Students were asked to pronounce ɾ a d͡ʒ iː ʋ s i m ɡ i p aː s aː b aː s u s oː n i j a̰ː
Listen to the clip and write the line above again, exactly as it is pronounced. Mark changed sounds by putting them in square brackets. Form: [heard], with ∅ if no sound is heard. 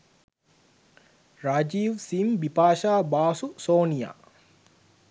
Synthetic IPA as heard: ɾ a d͡ʒ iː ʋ s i m [b] i p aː [ʃ] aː b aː s u s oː n i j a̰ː